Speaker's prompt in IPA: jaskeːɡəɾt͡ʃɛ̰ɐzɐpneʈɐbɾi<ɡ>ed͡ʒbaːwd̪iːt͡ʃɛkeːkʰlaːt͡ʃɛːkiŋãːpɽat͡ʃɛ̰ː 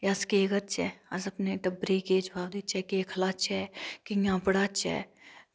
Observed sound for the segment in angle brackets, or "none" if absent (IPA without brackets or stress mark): k